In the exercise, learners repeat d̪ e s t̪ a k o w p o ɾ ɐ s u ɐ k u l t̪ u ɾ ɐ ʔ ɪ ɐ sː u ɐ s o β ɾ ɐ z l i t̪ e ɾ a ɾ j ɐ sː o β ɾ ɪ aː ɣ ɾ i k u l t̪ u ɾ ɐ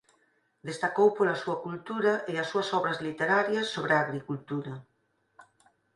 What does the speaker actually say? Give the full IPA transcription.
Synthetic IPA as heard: d̪ e s t̪ a k o w p o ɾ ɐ s u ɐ k u l t̪ u ɾ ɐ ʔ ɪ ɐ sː u ɐ s ɔ β ɾ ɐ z l i t̪ e ɾ a ɾ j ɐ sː o β ɾ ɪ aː ɣ ɾ i k u l t̪ u ɾ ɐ